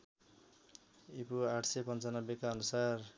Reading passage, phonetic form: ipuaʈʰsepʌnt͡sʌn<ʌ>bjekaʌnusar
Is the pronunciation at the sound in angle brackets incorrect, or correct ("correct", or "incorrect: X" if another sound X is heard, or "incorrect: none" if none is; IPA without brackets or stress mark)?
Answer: correct